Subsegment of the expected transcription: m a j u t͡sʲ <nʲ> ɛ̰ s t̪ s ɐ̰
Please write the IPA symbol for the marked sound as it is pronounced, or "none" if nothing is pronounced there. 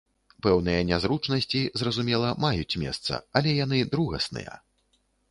mʲ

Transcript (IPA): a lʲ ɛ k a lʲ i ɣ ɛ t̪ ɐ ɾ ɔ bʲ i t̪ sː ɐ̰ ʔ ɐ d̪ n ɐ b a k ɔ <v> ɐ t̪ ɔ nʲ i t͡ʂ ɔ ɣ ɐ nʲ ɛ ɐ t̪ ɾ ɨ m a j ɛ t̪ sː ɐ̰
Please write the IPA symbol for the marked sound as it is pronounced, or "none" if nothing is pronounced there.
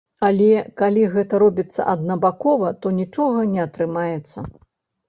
v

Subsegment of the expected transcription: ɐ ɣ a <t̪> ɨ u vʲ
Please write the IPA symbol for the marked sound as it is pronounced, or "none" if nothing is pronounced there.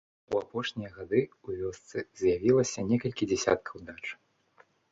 d̪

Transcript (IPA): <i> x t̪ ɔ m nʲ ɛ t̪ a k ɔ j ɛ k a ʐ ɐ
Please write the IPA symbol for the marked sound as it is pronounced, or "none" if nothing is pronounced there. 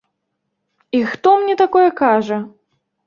i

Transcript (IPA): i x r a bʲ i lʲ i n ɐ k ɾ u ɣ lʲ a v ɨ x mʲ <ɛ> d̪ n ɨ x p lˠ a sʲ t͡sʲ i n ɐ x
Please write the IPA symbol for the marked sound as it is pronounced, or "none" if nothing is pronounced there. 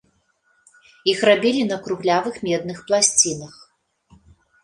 ɛ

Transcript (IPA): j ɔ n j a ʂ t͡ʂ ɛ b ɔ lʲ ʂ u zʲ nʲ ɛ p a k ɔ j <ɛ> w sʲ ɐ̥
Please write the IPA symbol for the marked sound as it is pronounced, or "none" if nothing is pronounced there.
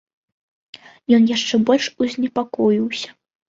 i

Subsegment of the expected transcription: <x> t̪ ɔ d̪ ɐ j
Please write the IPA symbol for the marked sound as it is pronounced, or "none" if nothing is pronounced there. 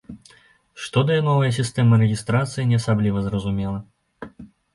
ʂ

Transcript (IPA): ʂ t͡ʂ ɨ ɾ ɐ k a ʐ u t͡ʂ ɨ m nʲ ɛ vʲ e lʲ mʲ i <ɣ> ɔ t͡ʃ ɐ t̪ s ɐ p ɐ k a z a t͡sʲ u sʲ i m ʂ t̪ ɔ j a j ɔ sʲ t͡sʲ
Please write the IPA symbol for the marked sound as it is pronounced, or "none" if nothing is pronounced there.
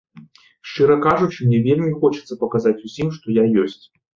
x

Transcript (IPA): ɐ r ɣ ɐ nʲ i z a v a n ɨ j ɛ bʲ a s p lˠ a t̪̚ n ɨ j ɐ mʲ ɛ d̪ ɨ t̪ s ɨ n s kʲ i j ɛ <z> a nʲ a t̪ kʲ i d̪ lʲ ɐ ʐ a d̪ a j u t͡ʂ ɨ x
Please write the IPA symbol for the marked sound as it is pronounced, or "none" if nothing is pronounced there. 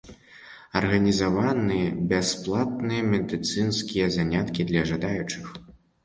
z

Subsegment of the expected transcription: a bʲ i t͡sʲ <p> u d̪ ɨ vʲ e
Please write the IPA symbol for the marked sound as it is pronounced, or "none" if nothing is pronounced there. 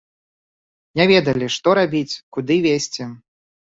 k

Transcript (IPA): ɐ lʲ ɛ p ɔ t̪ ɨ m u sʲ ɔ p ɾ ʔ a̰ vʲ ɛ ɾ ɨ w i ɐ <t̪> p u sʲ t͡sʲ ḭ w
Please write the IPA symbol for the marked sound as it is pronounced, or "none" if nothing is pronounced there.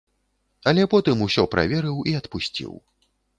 t̪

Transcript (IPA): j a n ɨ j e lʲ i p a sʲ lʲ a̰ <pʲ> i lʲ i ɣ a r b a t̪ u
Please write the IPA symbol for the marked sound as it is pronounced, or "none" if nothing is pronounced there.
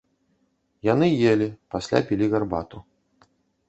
pʲ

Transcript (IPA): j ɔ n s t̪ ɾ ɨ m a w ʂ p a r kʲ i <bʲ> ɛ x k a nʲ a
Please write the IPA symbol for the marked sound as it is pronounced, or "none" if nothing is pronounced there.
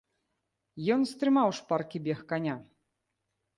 bʲ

